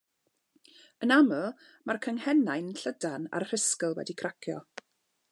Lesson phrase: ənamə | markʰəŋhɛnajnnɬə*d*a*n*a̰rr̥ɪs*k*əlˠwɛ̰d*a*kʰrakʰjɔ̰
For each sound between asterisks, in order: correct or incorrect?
correct, correct, correct, incorrect: i

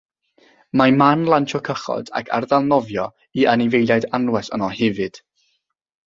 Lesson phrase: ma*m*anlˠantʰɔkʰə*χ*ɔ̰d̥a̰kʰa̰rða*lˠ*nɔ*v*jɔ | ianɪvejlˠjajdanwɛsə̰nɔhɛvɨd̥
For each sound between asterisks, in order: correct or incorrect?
correct, correct, correct, correct

